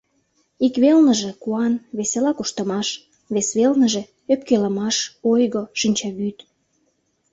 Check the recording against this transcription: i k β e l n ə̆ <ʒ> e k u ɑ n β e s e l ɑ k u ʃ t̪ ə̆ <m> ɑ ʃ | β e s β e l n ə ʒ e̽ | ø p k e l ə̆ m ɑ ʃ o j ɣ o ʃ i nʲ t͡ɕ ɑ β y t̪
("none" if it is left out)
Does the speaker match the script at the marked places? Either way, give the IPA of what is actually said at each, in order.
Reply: ʒ, m

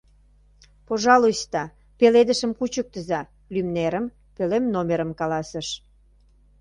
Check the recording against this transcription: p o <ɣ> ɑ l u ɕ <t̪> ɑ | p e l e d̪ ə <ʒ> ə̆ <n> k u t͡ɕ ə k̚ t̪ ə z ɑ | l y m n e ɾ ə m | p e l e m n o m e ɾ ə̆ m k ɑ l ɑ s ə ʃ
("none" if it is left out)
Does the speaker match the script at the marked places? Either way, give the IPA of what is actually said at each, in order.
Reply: ʒ, t̪, ʃ, m

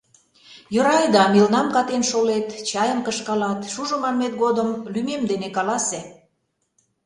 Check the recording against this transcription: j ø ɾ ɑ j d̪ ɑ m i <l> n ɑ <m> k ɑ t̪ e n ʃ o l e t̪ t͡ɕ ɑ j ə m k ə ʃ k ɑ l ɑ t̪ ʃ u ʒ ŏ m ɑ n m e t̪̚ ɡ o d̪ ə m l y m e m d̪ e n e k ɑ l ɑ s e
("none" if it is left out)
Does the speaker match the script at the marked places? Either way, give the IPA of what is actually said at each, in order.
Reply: l, m

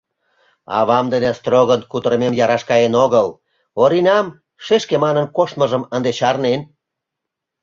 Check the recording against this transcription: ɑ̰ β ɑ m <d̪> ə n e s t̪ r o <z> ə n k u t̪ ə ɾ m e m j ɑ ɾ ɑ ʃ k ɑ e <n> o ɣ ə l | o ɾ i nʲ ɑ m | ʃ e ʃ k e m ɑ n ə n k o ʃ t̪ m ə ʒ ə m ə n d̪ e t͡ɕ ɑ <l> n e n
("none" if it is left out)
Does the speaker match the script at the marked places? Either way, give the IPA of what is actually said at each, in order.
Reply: d̪, ɣ, n, r

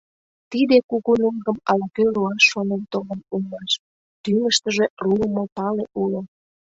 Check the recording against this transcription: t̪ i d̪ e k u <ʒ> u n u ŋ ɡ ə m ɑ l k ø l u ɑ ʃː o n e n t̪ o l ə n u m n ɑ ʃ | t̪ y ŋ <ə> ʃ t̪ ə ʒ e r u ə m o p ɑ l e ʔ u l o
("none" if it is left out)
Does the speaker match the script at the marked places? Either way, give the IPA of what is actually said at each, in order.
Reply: ɣ, ə

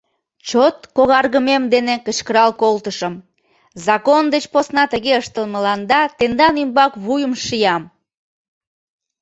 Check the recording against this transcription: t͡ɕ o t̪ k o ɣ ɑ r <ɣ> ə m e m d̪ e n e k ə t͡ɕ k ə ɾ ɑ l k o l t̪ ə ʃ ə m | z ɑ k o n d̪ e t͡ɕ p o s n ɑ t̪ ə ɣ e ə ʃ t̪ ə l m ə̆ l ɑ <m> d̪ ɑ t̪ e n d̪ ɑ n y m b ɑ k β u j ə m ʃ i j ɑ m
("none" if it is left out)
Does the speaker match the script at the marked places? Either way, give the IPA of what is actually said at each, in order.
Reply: ɣ, n

